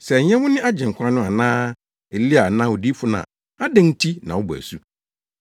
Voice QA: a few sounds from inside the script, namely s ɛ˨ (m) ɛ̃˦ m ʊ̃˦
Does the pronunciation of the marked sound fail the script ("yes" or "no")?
yes